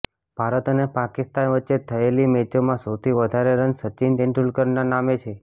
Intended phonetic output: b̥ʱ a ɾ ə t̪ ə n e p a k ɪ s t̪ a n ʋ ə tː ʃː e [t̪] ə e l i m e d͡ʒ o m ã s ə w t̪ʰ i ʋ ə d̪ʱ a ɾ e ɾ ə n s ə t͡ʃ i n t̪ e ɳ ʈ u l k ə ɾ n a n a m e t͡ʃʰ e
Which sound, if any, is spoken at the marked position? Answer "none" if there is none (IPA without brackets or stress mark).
t̪ʰ